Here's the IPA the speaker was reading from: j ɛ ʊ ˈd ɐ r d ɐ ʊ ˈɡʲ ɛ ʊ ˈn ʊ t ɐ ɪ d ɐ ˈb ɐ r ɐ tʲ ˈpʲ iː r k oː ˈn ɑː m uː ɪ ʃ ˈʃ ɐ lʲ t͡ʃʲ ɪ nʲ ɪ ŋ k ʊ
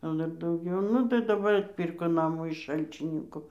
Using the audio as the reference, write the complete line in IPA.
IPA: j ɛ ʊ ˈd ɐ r d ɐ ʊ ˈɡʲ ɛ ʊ ˈn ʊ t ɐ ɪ d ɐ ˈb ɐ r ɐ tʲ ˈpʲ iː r k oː ˈn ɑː m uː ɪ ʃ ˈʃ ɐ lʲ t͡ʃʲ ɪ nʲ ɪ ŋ k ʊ